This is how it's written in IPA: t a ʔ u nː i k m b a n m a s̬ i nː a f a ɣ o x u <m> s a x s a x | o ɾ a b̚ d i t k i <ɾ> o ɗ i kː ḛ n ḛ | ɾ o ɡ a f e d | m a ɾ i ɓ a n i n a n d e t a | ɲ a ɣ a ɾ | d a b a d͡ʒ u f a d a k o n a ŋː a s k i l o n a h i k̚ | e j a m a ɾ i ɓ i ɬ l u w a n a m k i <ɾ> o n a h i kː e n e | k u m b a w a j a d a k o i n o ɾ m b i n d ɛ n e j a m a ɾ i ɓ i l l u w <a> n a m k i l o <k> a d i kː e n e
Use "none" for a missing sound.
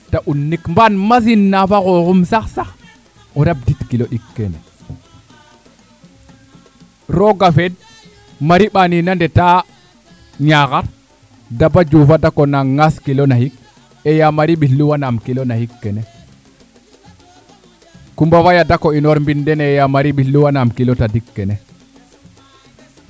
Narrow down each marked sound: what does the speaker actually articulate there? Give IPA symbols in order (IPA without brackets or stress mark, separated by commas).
m, l, l, a, t